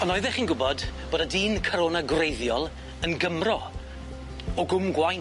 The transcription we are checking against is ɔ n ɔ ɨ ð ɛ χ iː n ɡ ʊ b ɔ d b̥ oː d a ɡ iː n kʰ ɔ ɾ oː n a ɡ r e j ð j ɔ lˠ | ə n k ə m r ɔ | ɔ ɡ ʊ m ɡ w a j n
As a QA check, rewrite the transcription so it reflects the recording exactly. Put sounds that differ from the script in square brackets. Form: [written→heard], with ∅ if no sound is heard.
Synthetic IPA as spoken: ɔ n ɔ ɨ ð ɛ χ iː n ɡ ʊ b ɔ d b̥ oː d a [ɡ→d] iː n kʰ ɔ ɾ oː n a ɡ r e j ð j ɔ lˠ | ə n [k→ɡ] ə m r ɔ | ɔ ɡ ʊ m ɡ w a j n